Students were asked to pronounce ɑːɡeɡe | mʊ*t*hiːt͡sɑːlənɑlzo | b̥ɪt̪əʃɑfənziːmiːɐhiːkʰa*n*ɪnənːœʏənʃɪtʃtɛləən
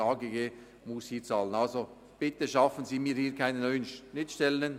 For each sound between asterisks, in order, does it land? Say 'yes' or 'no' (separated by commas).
no, no